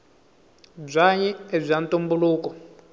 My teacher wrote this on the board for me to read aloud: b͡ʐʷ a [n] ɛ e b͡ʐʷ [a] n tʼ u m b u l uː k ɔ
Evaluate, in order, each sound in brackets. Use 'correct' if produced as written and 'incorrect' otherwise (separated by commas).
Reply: incorrect, correct